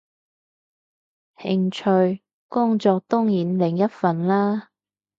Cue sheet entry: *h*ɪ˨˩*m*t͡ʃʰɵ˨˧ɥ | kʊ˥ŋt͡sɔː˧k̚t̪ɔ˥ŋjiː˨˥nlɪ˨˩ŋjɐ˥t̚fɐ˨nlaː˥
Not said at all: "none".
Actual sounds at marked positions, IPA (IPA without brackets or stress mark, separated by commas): h, ŋ